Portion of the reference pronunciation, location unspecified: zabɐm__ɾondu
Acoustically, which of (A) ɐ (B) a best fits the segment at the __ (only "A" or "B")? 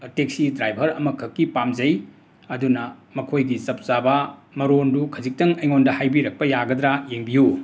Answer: A